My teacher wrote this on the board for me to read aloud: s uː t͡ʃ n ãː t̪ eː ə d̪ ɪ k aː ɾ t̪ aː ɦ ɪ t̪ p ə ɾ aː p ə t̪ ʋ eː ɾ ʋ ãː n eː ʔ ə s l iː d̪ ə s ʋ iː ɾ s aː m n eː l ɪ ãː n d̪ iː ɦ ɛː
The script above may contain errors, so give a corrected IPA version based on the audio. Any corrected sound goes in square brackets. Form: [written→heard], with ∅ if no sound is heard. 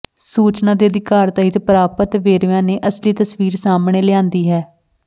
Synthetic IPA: s uː t͡ʃ n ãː [t̪→d̪] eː ə d̪ ɪ k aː ɾ t̪ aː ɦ ɪ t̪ p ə ɾ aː p ə t̪ ʋ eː ɾ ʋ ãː n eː ʔ ə s l iː [d̪→t̪] ə s ʋ iː ɾ s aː m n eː l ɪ ãː n d̪ iː ɦ ɛː

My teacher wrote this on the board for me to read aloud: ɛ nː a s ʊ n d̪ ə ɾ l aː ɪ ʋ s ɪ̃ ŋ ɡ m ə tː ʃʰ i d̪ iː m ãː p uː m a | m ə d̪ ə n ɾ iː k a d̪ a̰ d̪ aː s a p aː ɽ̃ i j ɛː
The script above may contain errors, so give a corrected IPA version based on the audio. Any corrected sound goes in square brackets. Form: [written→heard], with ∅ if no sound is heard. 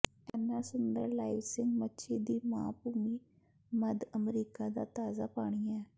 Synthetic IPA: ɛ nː a s ʊ n d̪ ə ɾ l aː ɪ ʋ s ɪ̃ ŋ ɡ m ə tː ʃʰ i d̪ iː m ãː p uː m [a→i] | m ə d̪ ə [n→m] ɾ iː k a d̪ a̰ [d̪→t̪] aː [s→z] a p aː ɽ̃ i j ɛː

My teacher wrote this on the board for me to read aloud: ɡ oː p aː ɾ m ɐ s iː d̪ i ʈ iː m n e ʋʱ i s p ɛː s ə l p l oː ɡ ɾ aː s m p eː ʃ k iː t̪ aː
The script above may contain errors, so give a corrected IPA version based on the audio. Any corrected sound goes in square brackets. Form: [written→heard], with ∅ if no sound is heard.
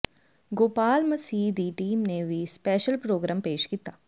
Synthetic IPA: ɡ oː p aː [ɾ→l] m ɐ s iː d̪ i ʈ iː m n e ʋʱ i s p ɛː [s→ʃ] ə l p [l→ɾ] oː ɡ ɾ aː [s→∅] m p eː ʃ k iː t̪ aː

